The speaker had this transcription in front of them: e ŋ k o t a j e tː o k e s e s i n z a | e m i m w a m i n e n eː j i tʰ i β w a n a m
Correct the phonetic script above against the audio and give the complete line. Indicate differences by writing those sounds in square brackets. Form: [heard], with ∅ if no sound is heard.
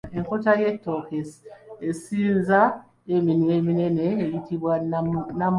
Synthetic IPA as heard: e ŋ k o t a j e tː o k e s e s i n z a | e m i [n] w [e] m i n e n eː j i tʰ i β w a n a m